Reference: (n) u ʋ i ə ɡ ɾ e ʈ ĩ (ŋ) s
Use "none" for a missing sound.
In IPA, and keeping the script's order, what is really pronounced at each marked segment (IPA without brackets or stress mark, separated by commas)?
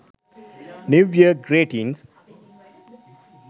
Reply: n, n